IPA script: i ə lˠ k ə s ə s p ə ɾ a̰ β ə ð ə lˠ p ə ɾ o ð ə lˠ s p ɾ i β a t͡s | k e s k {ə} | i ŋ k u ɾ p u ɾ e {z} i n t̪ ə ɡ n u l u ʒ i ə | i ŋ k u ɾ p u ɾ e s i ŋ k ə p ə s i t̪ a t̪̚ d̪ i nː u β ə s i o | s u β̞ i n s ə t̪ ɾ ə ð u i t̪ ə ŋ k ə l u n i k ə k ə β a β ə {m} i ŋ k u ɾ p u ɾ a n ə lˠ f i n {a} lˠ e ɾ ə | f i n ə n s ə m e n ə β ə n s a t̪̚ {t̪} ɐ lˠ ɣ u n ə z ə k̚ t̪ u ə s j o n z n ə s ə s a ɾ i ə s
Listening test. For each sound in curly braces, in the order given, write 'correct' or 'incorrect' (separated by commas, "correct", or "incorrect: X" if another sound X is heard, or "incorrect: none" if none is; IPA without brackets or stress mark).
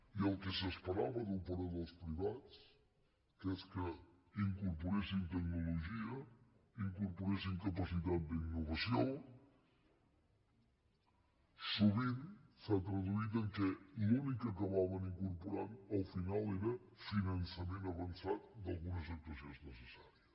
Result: correct, incorrect: s, incorrect: n, correct, incorrect: d̪